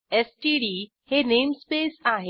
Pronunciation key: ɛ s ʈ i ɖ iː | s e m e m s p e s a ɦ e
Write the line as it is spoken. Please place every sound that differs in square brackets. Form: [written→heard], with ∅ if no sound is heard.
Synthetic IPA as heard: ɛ s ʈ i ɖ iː | [s→h] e [m→n] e m s p e s a ɦ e